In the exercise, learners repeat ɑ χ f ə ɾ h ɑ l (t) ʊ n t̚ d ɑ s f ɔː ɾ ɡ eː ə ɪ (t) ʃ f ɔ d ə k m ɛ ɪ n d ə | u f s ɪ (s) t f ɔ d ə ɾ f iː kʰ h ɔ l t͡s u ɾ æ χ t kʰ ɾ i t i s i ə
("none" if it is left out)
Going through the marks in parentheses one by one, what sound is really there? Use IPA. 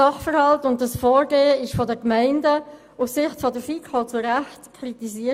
t, none, χ

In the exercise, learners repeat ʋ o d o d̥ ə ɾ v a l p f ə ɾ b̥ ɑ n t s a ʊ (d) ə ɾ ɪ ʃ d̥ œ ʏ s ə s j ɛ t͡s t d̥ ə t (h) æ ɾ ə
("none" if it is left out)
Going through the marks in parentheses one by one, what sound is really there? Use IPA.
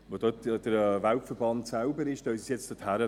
b, h

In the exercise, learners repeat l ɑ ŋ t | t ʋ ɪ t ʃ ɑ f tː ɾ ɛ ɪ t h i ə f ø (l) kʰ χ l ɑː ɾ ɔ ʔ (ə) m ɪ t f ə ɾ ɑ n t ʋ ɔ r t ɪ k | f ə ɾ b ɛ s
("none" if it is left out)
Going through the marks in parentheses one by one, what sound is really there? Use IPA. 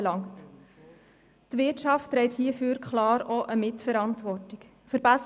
ɾ, ə

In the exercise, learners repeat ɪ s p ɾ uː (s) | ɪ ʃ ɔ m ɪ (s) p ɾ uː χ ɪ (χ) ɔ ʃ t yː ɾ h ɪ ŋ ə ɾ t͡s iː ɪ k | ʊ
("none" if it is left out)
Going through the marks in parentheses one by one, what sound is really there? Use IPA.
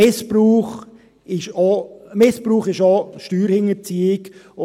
χ, s, ʃ

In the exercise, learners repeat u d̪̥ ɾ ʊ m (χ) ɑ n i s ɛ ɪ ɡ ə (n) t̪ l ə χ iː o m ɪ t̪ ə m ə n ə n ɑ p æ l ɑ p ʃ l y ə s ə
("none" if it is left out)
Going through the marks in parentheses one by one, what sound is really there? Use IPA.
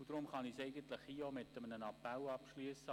χ, n

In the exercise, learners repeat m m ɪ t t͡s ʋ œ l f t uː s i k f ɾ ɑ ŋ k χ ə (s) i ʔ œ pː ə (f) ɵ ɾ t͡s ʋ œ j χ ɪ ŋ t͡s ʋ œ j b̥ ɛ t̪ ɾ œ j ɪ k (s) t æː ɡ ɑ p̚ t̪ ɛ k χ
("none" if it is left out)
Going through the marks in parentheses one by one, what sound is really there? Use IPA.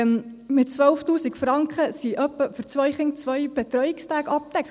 s, f, s

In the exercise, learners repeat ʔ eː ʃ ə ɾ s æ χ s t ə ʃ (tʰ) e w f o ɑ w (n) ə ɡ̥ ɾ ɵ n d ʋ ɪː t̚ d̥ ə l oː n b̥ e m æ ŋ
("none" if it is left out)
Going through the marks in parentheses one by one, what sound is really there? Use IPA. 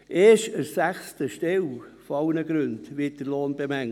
t, n

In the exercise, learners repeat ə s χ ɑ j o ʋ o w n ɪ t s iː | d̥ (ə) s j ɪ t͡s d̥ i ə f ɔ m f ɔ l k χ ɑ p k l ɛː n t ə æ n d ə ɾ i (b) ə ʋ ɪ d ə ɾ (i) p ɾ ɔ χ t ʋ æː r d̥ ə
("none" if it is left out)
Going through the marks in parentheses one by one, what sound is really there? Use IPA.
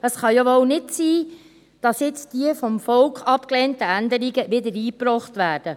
ɑ, ɡ, iː

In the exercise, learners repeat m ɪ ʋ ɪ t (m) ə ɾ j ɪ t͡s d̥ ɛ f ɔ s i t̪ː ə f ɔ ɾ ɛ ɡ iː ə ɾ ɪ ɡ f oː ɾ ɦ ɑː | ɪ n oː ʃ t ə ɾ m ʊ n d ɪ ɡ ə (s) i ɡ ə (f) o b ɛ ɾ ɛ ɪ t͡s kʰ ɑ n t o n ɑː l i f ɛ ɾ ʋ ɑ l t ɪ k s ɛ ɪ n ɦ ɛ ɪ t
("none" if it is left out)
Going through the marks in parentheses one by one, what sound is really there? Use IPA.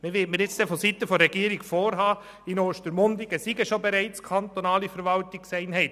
m, s, ʃ

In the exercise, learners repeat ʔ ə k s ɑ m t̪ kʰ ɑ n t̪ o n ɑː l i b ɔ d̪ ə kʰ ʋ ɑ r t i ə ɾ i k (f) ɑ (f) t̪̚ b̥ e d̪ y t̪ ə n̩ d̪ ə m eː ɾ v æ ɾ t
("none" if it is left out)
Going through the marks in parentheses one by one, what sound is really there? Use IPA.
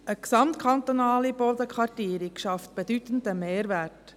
ʃ, f

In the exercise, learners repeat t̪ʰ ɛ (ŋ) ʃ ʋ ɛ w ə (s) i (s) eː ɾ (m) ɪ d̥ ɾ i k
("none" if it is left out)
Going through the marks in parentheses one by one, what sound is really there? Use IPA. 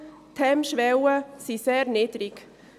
m, s, s, n

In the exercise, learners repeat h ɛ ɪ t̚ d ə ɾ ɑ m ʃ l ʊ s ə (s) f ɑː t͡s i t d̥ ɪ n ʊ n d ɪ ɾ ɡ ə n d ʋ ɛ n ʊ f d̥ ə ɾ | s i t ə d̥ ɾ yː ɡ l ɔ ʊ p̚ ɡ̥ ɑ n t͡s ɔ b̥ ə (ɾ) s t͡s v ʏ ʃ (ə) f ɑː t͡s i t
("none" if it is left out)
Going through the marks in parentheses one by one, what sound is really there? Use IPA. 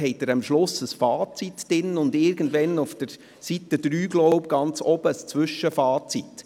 s, none, ə

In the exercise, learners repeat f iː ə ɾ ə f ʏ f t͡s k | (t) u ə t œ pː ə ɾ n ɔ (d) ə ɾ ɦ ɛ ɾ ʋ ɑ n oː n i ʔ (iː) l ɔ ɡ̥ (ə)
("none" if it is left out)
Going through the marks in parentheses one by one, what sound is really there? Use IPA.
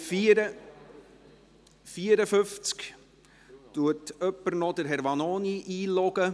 t, d, iː, ə

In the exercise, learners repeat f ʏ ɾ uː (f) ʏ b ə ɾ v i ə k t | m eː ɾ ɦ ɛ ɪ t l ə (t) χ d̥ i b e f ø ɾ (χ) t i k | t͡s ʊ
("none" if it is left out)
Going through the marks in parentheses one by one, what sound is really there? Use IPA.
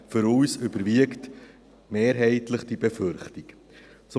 s, none, χ

